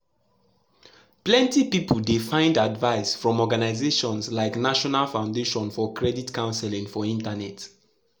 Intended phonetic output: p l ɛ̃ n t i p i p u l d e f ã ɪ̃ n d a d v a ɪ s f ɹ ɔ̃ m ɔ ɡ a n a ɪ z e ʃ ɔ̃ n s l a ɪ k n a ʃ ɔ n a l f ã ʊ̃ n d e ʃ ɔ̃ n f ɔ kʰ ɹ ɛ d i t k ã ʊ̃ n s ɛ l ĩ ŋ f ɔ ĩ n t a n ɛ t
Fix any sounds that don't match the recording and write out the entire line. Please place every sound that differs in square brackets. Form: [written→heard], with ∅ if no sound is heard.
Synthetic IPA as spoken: p l ɛ̃ n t i p i p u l d e f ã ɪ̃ n d a d v a ɪ s f ɹ ɔ̃ m ɔ ɡ a n a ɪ z e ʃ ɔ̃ n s l a ɪ k n a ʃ ɔ n a l f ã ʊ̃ n d e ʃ ɔ̃ n f ɔ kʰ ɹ ɛ d i t k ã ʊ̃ n s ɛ l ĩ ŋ f ɔ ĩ n t a n ɛ t